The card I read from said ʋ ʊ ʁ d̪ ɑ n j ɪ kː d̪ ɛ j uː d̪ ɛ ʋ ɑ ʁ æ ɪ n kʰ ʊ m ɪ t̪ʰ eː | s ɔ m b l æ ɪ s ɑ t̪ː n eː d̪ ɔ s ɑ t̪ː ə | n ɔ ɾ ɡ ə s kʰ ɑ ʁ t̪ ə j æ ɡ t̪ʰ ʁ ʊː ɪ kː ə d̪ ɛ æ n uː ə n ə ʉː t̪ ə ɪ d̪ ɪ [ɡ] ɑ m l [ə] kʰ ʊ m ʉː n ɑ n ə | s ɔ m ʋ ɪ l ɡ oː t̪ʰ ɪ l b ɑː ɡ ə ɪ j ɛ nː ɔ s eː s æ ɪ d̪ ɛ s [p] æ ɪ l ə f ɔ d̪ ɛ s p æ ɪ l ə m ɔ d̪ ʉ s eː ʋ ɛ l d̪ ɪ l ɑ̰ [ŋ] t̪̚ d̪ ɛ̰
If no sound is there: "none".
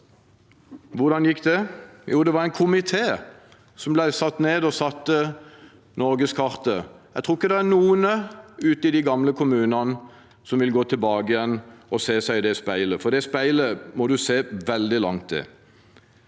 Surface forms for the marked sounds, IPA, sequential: ɡ, ə, p, ŋ

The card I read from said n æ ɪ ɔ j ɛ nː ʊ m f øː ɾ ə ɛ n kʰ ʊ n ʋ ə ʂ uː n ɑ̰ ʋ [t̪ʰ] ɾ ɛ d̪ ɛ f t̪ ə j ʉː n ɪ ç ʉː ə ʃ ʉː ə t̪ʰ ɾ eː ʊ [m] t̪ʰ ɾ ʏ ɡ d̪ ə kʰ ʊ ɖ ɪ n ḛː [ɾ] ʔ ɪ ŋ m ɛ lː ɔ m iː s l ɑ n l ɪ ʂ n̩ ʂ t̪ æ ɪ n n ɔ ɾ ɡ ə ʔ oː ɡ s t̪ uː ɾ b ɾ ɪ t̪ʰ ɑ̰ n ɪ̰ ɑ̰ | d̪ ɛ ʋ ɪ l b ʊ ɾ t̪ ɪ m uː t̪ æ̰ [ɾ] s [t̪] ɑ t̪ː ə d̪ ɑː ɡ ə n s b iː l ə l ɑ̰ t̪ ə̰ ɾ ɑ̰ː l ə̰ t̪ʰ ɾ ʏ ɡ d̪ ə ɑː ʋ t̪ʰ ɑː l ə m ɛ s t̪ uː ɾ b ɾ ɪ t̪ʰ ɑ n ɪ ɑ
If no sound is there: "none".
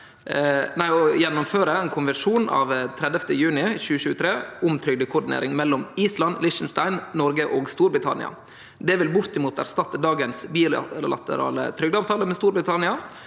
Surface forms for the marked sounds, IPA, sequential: t̪ʰ, m, ɾ, ɾ, t̪

